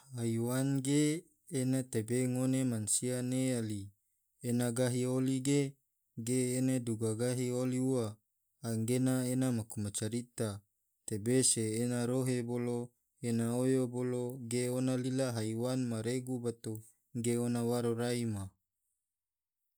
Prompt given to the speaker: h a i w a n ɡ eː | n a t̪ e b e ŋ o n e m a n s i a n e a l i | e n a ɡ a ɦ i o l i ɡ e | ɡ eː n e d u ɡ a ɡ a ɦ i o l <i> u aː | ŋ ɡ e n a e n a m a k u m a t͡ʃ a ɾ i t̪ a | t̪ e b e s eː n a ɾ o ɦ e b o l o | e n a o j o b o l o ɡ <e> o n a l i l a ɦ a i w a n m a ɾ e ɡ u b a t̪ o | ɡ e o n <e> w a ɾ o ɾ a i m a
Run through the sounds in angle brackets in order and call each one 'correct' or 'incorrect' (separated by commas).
correct, correct, incorrect